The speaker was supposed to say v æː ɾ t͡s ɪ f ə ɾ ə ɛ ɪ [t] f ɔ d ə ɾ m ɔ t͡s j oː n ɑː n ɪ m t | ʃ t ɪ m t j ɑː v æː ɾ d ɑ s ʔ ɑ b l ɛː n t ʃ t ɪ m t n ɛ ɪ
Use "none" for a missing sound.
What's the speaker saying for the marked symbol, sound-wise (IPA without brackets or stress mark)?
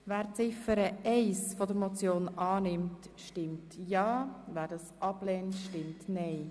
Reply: s